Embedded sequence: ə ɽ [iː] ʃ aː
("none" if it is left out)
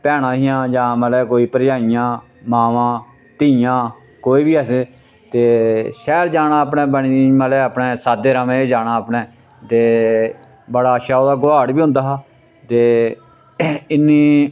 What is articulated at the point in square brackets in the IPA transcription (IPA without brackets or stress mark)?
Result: aː